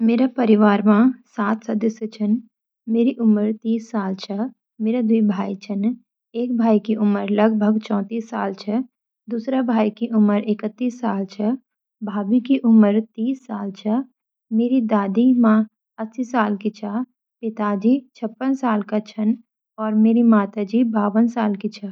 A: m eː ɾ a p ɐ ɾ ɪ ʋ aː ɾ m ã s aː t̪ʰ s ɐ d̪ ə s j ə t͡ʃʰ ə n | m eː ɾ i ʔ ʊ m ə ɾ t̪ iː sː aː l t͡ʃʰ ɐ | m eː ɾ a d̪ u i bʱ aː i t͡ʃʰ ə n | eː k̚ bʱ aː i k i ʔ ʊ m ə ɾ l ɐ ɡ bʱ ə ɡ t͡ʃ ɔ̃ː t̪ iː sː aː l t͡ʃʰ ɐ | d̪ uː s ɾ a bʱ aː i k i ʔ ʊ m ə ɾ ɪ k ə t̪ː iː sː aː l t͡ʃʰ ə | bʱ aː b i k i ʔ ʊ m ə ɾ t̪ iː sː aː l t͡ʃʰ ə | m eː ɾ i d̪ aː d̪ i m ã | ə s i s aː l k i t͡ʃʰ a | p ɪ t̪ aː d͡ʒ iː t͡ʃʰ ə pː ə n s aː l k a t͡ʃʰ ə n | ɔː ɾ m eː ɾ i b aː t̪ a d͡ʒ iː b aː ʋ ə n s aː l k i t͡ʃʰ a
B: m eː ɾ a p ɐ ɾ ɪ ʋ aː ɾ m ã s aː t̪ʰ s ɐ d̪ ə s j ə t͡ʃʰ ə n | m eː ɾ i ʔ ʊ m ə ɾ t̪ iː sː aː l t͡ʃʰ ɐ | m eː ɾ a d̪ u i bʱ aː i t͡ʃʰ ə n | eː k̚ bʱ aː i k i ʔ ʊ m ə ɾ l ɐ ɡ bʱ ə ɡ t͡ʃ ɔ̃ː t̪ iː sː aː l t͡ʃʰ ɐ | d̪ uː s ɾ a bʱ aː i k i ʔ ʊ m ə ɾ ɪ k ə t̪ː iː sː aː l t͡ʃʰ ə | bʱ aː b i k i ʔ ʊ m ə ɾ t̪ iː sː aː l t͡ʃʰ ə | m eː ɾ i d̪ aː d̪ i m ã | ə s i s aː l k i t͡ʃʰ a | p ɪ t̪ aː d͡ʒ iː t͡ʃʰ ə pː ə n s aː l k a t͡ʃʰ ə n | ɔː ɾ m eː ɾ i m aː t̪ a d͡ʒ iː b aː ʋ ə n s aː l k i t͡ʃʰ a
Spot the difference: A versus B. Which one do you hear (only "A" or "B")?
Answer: B